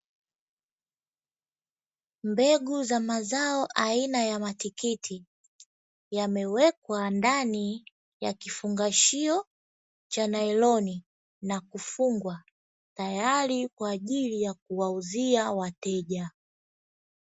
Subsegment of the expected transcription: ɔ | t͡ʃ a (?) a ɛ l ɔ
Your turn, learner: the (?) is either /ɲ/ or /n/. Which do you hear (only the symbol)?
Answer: n